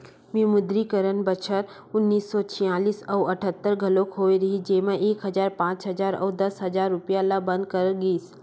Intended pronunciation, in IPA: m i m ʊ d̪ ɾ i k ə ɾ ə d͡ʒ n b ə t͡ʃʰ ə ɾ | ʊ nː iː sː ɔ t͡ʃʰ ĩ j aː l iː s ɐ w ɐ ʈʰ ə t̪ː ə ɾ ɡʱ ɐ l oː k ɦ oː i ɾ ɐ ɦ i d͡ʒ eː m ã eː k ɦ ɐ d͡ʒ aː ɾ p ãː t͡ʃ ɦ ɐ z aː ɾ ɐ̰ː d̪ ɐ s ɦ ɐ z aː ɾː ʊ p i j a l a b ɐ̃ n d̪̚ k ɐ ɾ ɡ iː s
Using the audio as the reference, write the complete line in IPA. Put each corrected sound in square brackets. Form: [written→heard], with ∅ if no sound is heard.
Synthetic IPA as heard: m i m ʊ d̪ ɾ i k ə ɾ ə [d͡ʒ→∅] n b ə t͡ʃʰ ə ɾ | ʊ nː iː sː ɔ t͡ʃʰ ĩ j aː l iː s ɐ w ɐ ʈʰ ə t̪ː ə ɾ ɡʱ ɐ l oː k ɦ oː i ɾ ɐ ɦ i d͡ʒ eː m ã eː k ɦ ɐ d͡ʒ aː ɾ p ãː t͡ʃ ɦ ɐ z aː ɾ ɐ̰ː d̪ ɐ s ɦ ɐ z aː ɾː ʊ p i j a l a b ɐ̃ n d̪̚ k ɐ ɾ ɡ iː s